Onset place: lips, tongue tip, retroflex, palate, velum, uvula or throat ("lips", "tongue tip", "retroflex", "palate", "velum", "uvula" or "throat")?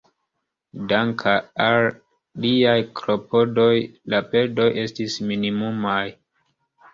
tongue tip